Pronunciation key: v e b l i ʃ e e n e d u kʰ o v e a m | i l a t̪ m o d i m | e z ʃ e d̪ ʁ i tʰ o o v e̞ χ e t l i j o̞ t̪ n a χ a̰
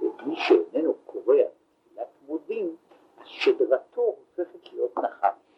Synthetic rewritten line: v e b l i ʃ e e n e n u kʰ o ʁ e a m | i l a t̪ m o d i m | a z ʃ e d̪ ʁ a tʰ o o f e̞ χ e t l i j o̞ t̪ n a χ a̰